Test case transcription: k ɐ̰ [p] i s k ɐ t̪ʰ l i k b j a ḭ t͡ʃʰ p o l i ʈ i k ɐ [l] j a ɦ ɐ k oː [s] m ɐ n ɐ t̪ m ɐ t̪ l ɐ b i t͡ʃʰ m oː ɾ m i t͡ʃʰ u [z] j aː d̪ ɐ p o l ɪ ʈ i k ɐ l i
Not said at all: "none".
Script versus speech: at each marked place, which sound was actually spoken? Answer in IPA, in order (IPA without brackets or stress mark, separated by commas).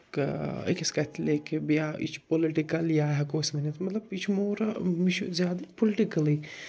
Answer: k, l, s, z